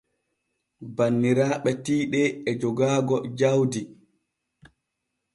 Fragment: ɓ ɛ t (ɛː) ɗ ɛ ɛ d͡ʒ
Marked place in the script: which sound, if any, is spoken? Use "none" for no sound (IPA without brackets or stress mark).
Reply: iː